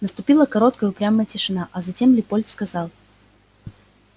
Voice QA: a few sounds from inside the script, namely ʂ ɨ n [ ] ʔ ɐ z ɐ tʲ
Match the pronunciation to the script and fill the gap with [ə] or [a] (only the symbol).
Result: a